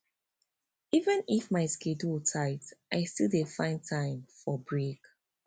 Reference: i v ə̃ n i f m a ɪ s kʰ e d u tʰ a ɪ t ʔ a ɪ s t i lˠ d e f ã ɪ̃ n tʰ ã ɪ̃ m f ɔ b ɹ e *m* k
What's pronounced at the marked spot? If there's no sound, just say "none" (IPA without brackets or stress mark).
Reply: none